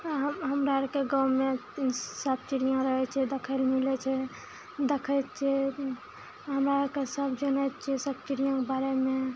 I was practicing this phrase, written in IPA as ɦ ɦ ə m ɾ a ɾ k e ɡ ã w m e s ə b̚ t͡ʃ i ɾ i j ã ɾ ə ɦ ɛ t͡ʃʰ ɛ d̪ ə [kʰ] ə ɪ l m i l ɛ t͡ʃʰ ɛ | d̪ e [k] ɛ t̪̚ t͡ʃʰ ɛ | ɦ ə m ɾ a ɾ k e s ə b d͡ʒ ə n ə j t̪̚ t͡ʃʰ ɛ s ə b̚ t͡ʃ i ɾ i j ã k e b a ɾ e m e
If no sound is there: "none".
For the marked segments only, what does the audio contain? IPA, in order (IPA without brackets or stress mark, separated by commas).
kʰ, kʰ